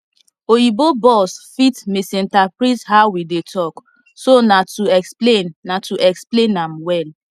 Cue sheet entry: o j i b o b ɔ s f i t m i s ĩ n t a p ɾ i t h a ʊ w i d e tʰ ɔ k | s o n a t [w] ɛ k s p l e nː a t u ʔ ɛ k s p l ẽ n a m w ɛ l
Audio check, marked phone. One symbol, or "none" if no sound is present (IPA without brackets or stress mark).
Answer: u